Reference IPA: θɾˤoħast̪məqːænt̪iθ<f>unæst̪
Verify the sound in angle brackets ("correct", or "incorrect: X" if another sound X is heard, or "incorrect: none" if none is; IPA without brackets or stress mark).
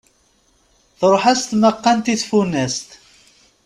correct